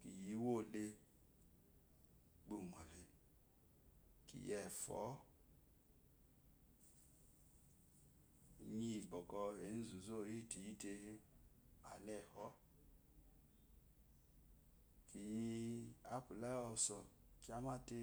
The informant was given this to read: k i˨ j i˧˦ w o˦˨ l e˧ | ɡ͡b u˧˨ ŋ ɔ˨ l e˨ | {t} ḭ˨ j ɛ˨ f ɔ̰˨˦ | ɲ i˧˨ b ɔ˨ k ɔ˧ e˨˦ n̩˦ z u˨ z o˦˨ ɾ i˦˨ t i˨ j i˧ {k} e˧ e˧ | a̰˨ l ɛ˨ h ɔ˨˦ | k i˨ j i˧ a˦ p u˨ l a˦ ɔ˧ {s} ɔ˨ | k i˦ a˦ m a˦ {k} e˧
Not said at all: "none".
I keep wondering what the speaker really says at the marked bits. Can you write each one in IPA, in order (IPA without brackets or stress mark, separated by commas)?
k, t, s, t